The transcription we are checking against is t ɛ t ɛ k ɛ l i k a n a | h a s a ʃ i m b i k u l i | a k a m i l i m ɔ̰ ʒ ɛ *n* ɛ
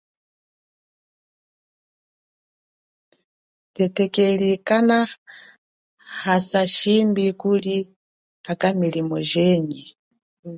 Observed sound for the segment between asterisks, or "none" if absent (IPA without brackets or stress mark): ɲ